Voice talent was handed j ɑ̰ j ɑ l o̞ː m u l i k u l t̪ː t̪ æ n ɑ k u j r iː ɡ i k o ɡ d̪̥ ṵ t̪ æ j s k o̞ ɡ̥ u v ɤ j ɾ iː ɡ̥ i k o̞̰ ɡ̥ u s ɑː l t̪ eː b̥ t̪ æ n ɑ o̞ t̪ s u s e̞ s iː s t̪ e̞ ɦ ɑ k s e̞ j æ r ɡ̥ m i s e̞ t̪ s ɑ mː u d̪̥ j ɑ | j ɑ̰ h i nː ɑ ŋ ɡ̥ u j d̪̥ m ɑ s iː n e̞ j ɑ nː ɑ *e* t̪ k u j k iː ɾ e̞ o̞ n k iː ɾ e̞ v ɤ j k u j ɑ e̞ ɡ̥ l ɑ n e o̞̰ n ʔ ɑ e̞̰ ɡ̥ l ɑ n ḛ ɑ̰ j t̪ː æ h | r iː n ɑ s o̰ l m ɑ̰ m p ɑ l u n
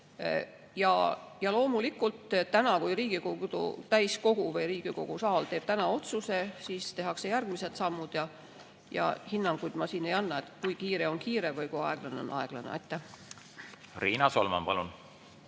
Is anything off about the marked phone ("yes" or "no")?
no